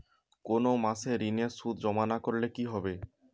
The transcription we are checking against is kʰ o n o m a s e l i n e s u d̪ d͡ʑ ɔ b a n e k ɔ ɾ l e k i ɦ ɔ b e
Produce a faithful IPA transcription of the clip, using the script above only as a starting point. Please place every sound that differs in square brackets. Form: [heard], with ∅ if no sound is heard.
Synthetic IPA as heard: [k] o n o m a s e [ɾ] i n e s u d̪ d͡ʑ ɔ [m] a n [a] k [o] ɾ l e k i ɦ ɔ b e